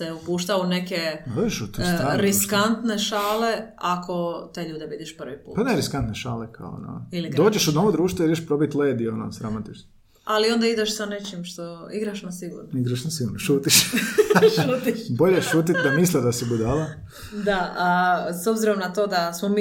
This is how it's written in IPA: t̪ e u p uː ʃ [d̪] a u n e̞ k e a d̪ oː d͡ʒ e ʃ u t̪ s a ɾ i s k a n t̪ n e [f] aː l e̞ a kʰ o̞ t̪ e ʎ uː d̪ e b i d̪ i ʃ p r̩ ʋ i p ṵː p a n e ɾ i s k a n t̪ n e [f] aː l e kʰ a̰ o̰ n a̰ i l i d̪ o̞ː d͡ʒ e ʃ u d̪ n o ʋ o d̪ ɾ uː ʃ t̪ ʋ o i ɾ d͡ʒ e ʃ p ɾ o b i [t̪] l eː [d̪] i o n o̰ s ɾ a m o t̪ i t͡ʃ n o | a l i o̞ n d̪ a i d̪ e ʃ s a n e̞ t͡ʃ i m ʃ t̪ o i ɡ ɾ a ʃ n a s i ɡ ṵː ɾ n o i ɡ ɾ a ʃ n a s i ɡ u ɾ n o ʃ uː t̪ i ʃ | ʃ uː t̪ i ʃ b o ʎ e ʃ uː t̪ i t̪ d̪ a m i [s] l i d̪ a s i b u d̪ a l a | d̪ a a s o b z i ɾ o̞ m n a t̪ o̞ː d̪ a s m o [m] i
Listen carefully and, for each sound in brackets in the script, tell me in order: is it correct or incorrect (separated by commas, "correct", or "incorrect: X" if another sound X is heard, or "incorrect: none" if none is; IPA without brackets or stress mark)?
incorrect: t̪, incorrect: ʃ, incorrect: ʃ, correct, correct, correct, correct